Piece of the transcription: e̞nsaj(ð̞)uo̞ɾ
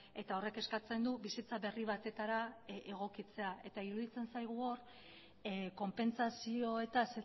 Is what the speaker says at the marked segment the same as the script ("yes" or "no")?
no